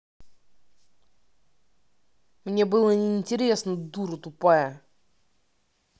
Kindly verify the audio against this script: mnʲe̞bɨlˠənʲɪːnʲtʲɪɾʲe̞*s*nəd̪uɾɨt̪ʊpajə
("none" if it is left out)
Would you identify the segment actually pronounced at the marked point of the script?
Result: s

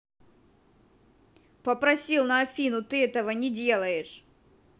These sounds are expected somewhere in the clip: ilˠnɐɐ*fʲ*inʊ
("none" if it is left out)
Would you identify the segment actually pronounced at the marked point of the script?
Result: fʲ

